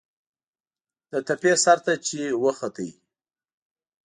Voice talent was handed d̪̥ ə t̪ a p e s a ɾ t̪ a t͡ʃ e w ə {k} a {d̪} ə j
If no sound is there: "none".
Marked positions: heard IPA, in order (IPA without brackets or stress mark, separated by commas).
x, t̪